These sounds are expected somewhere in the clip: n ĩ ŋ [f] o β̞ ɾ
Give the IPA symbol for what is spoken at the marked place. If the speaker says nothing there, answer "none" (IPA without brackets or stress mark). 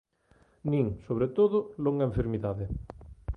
s